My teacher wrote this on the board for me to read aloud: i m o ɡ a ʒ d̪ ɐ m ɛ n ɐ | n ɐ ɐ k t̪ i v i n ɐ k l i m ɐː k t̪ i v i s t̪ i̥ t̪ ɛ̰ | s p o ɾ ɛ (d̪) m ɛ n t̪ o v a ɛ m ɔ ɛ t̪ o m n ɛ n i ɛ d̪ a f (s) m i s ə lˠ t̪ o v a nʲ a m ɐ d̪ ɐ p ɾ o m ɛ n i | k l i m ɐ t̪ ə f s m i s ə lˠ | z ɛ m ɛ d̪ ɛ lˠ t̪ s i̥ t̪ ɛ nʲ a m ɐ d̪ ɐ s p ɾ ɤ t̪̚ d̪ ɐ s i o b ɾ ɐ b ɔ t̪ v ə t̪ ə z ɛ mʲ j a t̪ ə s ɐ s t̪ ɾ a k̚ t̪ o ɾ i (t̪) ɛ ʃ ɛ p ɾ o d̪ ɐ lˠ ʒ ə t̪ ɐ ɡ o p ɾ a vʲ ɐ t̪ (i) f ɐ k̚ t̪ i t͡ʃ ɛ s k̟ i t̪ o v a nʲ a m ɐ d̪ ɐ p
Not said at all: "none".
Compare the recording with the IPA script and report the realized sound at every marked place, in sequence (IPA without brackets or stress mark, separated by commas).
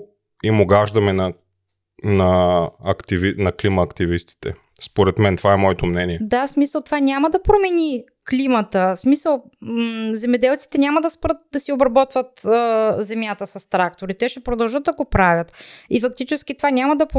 t̪, s, t̪, i